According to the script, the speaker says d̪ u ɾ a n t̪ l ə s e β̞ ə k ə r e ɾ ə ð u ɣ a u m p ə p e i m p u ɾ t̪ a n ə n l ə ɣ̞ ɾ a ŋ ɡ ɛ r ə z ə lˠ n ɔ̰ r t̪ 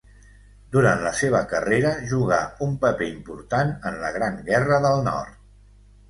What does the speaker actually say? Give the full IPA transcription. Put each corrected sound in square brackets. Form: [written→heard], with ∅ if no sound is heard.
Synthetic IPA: d̪ u ɾ a n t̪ l ə s e β̞ ə k ə r e ɾ ə [ð→ʒ] u ɣ a u m p ə p e i m p u ɾ t̪ a n ə n l ə ɣ̞ ɾ a ŋ ɡ ɛ r ə [z→ð] ə lˠ n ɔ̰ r t̪